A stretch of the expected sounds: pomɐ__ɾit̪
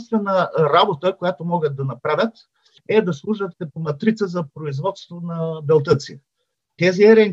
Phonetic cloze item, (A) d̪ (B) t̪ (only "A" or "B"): B